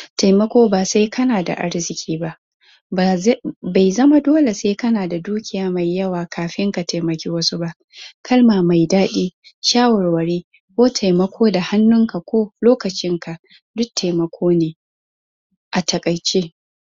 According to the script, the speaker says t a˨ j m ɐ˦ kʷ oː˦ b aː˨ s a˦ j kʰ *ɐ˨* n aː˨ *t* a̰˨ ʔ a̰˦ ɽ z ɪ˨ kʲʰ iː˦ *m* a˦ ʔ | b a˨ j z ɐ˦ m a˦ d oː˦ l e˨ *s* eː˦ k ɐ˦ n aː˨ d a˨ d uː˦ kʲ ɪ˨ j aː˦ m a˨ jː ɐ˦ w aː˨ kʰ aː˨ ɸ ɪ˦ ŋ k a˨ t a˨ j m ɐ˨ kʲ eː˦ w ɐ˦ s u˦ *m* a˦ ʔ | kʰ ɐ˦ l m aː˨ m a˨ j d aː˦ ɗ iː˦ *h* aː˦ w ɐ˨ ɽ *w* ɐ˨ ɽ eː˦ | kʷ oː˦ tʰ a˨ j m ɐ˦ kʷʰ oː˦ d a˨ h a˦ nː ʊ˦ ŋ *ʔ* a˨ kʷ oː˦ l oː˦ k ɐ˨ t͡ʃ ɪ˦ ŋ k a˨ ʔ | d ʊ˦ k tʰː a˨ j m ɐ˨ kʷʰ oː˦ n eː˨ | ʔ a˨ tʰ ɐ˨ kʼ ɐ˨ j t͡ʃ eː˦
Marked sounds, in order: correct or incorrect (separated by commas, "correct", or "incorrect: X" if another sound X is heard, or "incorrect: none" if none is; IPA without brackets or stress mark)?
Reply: incorrect: ɐ˦, incorrect: d, incorrect: b, correct, incorrect: b, incorrect: ʃ, correct, incorrect: k